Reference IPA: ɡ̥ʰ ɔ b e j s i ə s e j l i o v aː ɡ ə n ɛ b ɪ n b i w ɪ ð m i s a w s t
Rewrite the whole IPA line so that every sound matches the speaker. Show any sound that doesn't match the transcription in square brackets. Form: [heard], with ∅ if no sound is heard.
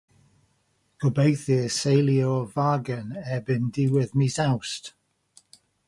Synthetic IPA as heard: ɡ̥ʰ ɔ b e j [θ] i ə s e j l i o v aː ɡ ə n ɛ b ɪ n [d] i w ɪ ð m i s a w s t